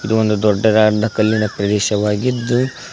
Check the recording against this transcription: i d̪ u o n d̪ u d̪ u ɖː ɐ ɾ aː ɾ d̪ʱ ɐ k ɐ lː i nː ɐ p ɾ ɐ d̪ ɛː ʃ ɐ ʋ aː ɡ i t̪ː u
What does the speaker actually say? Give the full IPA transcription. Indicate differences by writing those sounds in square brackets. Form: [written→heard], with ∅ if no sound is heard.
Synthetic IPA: i d̪ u o n d̪ u d̪ [u→ɔ] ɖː ɐ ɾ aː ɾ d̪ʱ ɐ k ɐ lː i [nː→n] ɐ p ɾ ɐ d̪ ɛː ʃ ɐ ʋ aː ɡ i [t̪ː→d̪ː] u

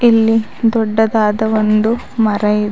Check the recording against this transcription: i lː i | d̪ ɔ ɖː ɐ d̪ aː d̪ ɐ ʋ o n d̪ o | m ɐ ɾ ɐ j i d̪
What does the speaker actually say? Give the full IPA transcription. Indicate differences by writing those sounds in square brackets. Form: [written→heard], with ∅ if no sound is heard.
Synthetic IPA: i lː i | d̪ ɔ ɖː ɐ d̪ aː d̪ ɐ ʋ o n d̪ [o→u] | m ɐ ɾ ɐ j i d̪

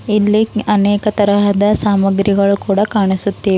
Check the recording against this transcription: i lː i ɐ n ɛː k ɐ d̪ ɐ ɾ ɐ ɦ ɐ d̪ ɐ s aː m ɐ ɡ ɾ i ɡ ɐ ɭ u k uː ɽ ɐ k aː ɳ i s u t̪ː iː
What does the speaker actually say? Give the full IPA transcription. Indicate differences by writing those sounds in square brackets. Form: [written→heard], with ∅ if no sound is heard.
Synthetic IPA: i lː i ɐ n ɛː k ɐ [d̪→t̪] ɐ ɾ ɐ ɦ ɐ d̪ ɐ s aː m ɐ ɡ ɾ i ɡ ɐ ɭ u k uː ɽ ɐ k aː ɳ i s u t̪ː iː

